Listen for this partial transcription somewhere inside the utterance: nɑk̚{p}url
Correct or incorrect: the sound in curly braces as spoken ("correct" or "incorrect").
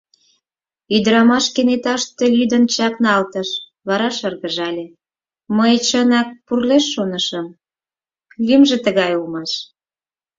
correct